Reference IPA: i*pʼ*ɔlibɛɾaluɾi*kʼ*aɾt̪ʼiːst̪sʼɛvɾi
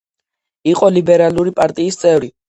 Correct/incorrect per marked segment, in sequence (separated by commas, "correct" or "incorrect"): incorrect, incorrect